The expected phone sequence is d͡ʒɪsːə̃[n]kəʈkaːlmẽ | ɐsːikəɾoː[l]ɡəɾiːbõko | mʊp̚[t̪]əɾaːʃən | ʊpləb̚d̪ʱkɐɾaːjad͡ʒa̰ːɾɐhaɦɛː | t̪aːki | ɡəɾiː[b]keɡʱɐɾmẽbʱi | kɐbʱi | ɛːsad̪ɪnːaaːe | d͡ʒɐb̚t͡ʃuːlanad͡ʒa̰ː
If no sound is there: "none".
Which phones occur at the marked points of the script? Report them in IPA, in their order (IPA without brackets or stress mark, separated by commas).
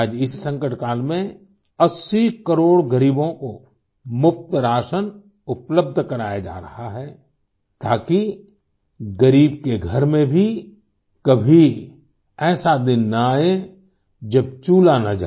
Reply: ŋ, ɽ, t̪, b